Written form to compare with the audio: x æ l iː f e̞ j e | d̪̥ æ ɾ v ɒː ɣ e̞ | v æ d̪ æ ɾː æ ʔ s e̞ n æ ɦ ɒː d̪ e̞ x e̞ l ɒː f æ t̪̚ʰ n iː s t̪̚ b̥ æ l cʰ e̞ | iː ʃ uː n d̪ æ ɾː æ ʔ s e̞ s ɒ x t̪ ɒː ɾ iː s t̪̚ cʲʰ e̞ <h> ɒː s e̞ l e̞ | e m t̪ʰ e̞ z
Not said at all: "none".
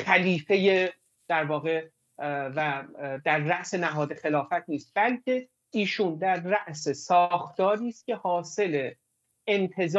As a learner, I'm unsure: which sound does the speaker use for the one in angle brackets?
h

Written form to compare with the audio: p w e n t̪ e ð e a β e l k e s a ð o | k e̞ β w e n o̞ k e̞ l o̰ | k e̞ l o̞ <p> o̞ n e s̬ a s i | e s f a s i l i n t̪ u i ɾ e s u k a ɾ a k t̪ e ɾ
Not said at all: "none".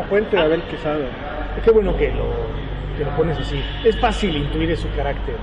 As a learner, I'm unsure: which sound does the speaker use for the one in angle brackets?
p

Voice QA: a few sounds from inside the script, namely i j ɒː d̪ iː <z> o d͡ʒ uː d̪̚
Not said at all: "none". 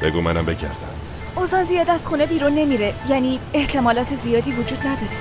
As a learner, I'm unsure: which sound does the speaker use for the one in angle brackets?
v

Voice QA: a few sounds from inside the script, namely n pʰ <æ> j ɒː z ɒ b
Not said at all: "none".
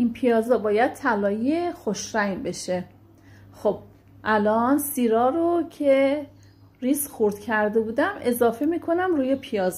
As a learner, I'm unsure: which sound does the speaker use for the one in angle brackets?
i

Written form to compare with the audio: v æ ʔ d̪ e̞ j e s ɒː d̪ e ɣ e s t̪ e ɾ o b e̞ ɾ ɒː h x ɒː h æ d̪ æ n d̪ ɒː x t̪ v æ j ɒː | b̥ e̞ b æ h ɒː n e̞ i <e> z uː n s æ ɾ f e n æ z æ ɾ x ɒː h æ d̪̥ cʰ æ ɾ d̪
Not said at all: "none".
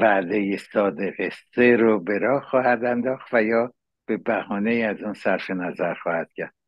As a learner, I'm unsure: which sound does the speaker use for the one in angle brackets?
æ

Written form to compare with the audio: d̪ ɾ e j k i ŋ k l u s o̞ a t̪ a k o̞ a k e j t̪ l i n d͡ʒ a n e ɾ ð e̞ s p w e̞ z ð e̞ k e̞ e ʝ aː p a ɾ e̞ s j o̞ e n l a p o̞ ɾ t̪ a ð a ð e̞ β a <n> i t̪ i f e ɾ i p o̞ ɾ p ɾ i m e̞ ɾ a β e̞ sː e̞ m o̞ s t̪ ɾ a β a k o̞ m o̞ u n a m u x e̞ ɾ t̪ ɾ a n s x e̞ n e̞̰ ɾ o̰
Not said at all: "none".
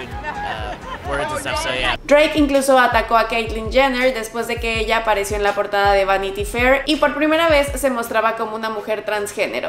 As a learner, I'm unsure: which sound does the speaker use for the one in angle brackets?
n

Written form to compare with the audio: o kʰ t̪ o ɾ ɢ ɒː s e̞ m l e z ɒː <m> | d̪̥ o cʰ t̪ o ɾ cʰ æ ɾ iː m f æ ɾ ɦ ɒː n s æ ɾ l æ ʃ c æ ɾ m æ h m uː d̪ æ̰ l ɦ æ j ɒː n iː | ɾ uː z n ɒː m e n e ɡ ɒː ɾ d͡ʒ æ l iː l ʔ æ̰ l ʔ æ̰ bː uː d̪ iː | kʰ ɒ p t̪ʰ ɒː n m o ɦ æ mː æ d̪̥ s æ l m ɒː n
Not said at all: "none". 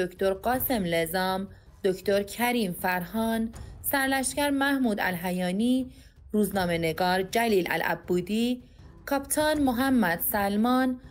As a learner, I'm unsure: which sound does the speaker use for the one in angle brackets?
m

